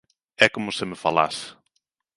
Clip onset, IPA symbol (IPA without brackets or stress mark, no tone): ɛ